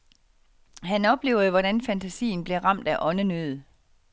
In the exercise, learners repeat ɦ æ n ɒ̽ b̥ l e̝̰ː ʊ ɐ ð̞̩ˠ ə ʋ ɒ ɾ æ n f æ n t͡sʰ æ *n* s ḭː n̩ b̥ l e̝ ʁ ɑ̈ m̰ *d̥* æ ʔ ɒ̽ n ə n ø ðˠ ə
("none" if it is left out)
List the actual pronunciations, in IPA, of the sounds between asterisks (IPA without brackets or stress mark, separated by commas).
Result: none, d̥